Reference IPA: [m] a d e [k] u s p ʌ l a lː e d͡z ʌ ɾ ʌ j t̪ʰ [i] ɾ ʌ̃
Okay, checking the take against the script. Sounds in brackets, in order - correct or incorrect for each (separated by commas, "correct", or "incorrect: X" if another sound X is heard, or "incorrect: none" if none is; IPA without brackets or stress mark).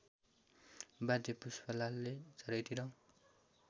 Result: incorrect: b, incorrect: p, correct